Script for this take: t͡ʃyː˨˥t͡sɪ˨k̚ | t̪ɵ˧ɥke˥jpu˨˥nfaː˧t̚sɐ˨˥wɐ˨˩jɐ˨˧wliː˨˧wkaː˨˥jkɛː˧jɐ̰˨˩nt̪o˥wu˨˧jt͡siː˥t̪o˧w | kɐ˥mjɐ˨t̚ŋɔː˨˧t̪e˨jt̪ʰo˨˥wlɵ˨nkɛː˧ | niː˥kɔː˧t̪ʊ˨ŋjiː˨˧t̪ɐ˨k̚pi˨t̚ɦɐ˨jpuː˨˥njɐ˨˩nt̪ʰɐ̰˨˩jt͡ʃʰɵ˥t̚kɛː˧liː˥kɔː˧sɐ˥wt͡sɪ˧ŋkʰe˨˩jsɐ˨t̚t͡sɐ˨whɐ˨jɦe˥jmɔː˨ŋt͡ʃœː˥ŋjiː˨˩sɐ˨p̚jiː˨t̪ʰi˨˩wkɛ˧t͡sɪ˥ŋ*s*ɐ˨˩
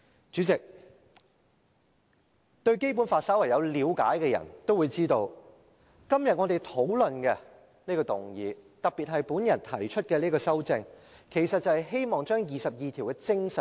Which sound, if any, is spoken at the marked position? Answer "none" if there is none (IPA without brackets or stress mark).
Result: s